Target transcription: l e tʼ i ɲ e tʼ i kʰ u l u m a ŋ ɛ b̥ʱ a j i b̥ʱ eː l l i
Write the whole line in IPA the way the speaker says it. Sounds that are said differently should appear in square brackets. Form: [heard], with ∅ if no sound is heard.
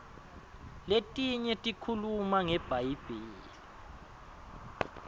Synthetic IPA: l e tʼ i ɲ [ɛ] tʼ i kʰ u l u m a ŋ ɛ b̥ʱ a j i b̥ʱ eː l l i